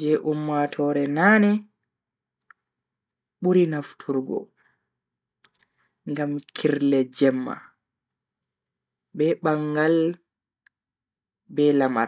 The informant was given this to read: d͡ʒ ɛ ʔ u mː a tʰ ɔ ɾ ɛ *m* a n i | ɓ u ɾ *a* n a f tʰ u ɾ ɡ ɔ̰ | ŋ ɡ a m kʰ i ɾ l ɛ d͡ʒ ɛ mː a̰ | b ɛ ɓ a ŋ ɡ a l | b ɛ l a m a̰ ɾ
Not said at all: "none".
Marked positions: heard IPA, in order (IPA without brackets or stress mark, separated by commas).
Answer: n, i